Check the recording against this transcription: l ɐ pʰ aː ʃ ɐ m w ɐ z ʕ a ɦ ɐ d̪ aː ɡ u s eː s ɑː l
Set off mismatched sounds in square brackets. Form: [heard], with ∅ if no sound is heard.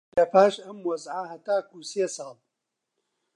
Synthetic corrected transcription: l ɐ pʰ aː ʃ ɐ m w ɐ z ʕ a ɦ ɐ [t̪] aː [k] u s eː s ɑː l